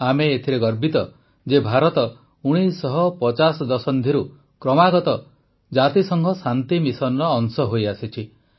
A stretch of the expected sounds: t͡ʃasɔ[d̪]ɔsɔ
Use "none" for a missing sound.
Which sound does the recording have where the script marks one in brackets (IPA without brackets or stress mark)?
d̪